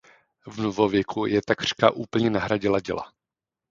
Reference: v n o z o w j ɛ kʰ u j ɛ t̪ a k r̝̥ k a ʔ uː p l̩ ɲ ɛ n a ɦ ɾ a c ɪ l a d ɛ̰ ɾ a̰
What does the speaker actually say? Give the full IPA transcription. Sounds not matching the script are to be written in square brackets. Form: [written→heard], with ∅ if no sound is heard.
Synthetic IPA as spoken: v n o [z→v] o [w→v] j ɛ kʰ u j ɛ t̪ a k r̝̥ k a ʔ uː p l̩ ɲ ɛ n a ɦ ɾ a [c→ɟ] ɪ l a [d→ɟ] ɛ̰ [ɾ→l] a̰